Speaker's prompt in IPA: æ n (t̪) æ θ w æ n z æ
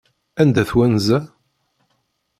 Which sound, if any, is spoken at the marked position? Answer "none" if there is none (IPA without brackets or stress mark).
d̪